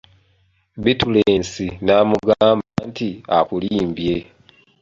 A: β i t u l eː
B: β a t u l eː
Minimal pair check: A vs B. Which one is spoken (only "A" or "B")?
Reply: A